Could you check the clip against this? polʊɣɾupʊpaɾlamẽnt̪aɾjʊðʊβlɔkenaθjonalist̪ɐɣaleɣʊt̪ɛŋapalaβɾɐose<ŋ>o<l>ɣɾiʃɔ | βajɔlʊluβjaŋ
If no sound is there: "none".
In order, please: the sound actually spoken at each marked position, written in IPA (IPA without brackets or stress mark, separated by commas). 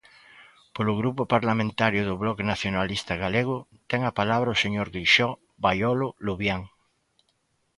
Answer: ɲ, ɾ